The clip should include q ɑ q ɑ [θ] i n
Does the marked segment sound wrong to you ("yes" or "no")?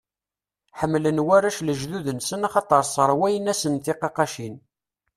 yes